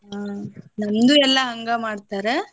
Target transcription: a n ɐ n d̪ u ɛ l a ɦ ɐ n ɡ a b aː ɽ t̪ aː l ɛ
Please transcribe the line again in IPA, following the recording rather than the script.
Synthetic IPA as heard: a n ɐ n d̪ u ɛ lː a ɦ ɐ ŋ ɡ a m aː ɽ t̪ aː ɾ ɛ